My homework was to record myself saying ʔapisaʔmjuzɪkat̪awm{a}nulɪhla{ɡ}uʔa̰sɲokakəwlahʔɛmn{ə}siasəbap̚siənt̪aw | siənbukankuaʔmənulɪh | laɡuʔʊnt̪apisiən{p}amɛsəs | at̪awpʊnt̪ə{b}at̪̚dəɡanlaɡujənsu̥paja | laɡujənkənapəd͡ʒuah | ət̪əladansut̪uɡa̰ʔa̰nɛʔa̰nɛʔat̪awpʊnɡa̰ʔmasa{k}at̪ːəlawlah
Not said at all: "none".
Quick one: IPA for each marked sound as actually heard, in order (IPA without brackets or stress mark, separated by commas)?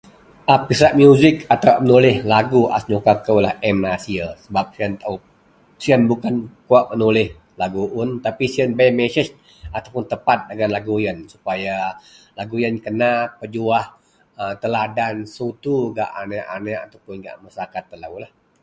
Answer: ə, ɡ, a, b, p, k